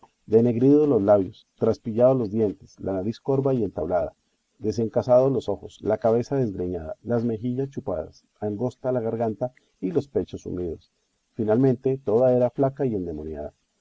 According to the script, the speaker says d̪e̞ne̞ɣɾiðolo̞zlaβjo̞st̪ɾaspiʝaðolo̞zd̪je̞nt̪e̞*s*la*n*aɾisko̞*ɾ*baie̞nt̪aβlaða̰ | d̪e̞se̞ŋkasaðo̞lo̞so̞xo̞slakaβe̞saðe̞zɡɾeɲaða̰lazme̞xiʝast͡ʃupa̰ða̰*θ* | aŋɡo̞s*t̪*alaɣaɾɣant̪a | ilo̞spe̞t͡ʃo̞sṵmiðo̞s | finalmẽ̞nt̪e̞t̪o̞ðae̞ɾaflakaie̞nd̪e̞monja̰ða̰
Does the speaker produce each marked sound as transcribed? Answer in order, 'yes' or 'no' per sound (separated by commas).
yes, yes, yes, no, yes